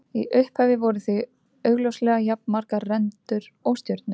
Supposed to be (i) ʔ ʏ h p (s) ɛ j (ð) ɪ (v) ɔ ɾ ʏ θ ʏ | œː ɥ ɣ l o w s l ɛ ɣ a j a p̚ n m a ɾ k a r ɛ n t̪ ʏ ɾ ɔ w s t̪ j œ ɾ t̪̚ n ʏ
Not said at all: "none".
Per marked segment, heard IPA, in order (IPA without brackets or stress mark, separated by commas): i, h, v, v